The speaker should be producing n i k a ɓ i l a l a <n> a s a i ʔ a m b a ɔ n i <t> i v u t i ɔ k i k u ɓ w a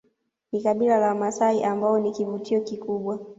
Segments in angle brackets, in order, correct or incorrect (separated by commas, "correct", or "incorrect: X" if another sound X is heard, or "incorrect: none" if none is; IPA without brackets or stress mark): incorrect: m, incorrect: k